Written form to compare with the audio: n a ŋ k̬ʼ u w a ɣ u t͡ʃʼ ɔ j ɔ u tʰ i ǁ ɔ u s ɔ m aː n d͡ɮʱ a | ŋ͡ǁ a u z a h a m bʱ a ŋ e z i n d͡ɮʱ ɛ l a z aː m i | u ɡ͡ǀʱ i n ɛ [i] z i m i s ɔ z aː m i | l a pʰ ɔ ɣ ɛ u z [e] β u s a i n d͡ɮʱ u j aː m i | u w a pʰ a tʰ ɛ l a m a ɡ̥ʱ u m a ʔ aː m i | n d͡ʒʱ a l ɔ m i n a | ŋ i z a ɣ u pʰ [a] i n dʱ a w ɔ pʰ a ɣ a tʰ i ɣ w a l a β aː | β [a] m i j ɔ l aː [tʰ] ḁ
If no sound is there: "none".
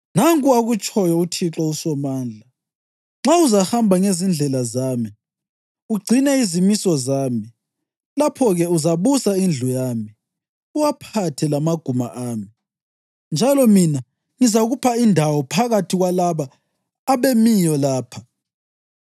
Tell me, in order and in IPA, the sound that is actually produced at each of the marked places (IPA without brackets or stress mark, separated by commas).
i, a, a, e, pʰ